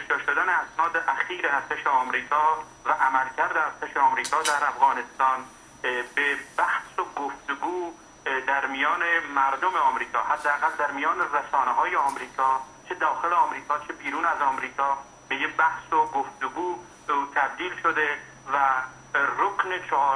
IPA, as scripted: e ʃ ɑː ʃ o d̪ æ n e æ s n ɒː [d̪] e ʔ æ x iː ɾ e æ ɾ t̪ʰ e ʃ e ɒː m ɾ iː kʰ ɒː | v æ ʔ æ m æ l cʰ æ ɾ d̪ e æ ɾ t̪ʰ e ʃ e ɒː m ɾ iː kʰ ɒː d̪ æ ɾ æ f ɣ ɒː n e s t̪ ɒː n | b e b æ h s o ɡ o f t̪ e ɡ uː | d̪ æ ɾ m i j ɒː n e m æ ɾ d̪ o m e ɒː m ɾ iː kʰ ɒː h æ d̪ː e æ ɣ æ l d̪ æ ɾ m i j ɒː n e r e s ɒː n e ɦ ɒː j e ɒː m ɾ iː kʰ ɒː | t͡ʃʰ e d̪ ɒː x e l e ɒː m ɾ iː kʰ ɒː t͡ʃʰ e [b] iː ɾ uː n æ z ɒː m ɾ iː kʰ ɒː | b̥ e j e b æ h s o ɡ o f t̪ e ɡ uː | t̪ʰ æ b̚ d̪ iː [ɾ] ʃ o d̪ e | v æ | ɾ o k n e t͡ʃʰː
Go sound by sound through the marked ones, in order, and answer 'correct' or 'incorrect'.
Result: correct, correct, incorrect

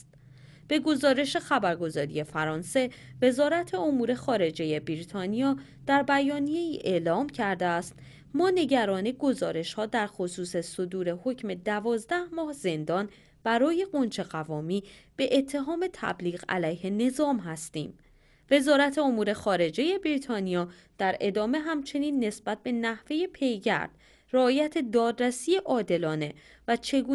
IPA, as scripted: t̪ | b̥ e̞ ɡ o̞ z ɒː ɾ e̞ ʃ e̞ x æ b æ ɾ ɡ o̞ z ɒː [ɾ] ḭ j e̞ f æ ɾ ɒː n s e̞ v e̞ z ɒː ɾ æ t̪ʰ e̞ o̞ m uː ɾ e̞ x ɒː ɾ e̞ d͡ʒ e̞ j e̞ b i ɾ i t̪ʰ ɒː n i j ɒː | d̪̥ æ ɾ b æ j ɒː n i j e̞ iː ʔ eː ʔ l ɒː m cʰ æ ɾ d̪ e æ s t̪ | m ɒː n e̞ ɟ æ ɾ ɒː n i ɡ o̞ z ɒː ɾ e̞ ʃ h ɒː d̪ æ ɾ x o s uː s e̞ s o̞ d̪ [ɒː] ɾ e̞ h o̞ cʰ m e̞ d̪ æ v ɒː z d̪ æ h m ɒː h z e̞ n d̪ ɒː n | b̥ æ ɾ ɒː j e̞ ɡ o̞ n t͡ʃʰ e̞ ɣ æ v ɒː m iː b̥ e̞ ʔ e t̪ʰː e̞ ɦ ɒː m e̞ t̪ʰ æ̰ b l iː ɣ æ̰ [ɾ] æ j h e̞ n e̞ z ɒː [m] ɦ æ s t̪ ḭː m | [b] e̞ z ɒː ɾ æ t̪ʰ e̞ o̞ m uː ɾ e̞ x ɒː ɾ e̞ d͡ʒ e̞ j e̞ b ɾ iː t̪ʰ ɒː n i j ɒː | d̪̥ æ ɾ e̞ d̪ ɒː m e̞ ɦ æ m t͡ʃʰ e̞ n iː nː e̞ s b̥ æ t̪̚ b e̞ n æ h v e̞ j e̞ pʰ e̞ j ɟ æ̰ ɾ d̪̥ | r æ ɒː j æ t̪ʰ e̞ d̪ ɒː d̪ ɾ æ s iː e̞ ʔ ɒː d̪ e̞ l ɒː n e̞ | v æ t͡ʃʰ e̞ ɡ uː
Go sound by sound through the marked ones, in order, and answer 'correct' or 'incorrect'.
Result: correct, incorrect, incorrect, correct, incorrect

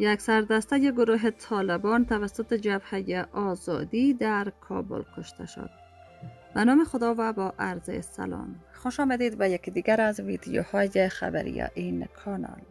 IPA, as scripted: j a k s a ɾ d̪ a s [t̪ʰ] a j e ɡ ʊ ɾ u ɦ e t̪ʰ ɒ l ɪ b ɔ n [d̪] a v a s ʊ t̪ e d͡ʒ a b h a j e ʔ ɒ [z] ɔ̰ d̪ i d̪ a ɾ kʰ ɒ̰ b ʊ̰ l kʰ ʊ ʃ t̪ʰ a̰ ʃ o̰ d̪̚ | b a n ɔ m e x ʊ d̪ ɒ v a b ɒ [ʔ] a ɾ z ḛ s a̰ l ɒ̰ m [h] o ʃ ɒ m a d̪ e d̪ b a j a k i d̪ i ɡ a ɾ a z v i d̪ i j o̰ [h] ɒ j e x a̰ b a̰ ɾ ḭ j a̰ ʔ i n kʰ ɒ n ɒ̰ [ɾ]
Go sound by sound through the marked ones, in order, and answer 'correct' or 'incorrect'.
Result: incorrect, incorrect, correct, correct, incorrect, correct, incorrect

